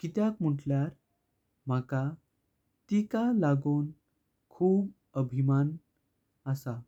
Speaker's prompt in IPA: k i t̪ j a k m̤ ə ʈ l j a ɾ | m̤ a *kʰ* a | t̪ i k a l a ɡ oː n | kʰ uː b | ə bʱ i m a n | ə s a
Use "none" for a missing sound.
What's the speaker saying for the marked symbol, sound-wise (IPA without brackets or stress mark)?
k